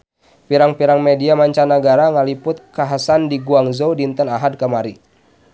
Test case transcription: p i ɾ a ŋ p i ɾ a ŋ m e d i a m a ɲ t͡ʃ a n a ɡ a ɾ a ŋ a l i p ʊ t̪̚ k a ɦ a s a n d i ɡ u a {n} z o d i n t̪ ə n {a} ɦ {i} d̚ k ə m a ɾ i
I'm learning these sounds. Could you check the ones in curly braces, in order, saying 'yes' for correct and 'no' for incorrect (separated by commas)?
no, yes, no